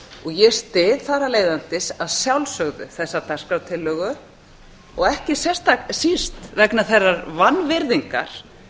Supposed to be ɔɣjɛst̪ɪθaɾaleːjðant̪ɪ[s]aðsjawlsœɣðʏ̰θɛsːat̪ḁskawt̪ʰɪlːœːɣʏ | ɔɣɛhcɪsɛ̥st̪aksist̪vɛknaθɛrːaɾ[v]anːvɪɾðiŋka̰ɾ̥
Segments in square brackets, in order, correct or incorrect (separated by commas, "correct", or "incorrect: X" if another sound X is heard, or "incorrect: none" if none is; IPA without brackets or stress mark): correct, correct